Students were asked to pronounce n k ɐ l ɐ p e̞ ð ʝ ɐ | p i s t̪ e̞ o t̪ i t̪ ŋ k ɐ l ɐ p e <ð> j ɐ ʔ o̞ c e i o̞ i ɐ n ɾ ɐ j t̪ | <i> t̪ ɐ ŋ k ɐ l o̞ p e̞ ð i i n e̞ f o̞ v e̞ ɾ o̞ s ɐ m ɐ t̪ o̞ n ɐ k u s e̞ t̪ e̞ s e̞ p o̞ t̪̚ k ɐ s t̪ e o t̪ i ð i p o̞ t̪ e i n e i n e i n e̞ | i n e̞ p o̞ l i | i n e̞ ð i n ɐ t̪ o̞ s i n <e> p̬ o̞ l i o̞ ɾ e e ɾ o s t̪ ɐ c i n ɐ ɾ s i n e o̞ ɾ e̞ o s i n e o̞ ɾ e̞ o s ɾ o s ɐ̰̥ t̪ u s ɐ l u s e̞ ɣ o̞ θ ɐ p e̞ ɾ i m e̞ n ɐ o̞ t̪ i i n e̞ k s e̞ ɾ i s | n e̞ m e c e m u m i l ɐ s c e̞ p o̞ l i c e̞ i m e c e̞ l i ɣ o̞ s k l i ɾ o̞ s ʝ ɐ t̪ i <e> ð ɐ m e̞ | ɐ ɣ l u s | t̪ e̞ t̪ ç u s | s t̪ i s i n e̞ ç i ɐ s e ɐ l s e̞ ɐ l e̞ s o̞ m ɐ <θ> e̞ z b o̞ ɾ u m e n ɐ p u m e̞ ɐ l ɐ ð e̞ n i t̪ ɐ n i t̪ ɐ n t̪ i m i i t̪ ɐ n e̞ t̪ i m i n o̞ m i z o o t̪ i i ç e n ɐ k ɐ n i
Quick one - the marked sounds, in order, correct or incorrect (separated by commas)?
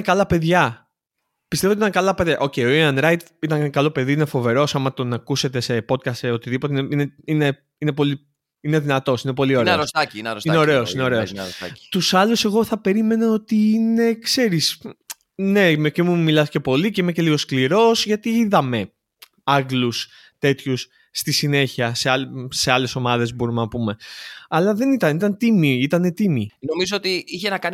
correct, correct, correct, incorrect, incorrect